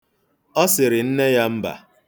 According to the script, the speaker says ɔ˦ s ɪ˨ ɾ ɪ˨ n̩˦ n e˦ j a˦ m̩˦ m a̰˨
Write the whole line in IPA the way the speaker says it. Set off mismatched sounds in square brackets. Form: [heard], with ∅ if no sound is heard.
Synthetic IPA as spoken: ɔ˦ s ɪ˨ ɾ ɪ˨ n̩˦ n e˦ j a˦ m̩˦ [b] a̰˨